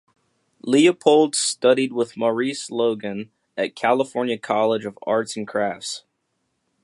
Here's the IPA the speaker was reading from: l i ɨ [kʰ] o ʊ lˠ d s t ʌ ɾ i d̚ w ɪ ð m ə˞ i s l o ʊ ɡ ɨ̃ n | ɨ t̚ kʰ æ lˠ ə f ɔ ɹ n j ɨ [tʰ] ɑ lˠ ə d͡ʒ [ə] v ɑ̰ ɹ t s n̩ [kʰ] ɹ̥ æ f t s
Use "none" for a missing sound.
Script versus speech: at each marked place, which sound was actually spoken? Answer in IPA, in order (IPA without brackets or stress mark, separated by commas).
pʰ, kʰ, ʌ, kʰ